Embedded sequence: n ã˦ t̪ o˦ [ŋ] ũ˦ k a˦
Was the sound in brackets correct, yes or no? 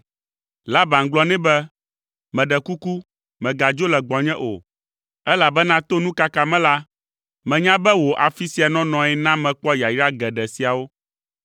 no